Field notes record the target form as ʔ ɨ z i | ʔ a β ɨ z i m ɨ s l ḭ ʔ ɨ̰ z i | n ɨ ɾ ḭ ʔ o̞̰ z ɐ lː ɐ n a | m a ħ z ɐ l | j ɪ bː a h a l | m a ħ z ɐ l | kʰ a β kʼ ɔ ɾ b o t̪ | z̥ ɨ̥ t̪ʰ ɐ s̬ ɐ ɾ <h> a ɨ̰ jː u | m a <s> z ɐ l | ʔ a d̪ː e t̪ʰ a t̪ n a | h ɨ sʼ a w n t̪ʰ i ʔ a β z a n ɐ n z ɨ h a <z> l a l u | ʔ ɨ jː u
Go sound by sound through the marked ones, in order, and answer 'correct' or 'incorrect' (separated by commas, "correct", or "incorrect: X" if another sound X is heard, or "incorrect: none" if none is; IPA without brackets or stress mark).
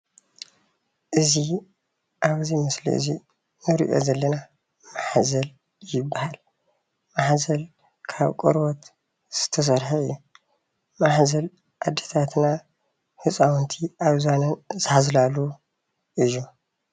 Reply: incorrect: ħ, incorrect: ħ, correct